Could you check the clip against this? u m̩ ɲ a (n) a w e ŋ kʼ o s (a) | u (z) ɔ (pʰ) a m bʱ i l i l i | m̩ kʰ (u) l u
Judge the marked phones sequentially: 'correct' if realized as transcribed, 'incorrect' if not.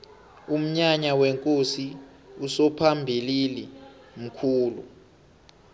incorrect: ɲ, incorrect: i, incorrect: s, correct, incorrect: uː

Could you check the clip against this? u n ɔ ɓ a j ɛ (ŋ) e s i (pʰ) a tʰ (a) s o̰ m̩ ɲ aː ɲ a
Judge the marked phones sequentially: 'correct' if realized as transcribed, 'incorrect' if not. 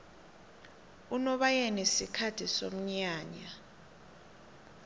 incorrect: n, incorrect: kʰ, incorrect: i

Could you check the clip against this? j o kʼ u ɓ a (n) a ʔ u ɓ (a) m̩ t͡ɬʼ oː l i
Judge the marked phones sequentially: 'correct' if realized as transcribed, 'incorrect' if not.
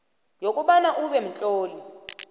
correct, incorrect: ɛ

